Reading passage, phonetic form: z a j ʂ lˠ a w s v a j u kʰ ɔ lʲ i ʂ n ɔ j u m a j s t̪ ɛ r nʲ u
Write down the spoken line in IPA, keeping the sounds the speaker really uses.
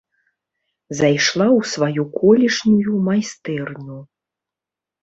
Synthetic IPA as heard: z a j ʂ lˠ a w s v a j u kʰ ɔ lʲ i ʂ n u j u m a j s t̪ ɛ r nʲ u